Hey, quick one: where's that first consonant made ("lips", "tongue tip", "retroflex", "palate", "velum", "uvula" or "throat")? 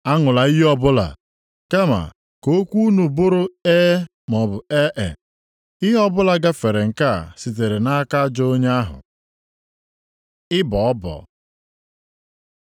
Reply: velum